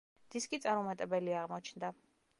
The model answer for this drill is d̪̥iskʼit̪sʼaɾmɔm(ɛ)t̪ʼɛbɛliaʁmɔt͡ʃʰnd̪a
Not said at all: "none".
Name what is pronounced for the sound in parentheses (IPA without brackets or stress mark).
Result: a